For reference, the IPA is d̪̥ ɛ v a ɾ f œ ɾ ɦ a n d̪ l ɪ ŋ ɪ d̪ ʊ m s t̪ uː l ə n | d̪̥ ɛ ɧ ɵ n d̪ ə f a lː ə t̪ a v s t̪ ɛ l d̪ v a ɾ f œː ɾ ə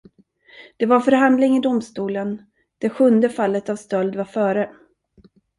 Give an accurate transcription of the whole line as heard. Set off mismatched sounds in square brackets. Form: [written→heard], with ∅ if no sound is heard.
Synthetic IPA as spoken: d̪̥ ɛ v a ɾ f œ ɾ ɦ a n d̪ l ɪ ŋ ɪ d̪ ʊ m s t̪ uː l ə n | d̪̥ ɛ ɧ ɵ n d̪ ə f a lː ə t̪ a v s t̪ [ɛ→œ] l d̪ v a ɾ f œː ɾ ə

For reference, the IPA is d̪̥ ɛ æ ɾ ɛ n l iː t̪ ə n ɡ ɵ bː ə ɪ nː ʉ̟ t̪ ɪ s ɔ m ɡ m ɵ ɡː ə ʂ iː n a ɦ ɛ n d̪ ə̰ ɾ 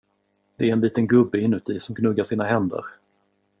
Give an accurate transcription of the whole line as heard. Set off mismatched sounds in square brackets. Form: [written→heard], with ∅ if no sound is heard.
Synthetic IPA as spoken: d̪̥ ɛ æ ɾ ɛ n l iː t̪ ə n ɡ ɵ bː ə ɪ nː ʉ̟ t̪ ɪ s ɔ m ɡ [m→n] ɵ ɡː [ə→a] ʂ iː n a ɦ ɛ n d̪ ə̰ ɾ

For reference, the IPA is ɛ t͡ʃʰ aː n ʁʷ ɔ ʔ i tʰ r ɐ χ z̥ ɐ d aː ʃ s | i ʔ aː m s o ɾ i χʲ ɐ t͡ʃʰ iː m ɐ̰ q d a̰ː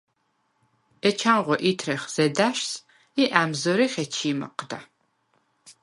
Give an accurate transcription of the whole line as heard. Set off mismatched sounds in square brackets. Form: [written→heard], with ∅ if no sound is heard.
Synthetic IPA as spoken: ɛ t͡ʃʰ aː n ʁʷ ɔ ʔ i tʰ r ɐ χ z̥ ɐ d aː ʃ s | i ʔ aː m [s→z] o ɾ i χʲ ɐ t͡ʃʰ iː m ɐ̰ q d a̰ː

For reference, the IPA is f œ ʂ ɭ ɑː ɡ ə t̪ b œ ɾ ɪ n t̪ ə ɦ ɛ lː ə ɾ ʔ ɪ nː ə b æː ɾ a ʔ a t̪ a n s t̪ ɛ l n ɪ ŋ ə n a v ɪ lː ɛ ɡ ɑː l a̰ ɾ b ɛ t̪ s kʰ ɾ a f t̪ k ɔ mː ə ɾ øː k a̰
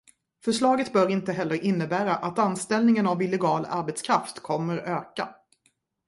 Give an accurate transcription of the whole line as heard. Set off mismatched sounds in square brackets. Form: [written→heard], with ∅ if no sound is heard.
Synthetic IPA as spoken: f œ ʂ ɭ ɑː ɡ ə t̪ b œ ɾ ɪ n t̪ ə ɦ ɛ lː ə ɾ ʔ ɪ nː ə b æː ɾ a ʔ a t̪ a n s t̪ ɛ l n ɪ ŋ ə n a v ɪ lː ɛ ɡ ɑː l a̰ ɾ b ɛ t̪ s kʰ ɾ a f t̪ [k→kʰ] ɔ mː ə ɾ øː k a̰

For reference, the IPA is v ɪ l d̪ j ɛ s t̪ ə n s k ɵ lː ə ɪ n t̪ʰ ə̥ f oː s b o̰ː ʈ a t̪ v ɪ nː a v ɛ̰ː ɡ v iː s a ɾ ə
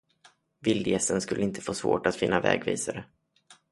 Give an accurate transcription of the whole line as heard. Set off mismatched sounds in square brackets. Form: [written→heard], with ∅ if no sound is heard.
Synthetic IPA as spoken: v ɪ l d̪ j ɛ s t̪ ə n s k ɵ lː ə ɪ n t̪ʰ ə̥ f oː s [b→v] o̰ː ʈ a t̪ [v→f] ɪ nː a v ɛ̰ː ɡ v iː s a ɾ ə

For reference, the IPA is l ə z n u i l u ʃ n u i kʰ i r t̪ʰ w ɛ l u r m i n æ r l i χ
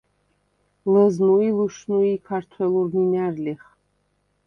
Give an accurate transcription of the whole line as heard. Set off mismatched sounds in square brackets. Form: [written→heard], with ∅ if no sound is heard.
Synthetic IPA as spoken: l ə z n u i l u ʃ n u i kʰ [i→a] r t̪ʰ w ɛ l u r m i n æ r l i χ

